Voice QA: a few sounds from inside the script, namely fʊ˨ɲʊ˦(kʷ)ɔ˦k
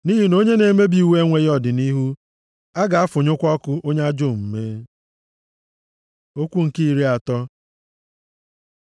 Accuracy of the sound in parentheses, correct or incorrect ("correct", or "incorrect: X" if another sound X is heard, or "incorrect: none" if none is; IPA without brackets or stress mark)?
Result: correct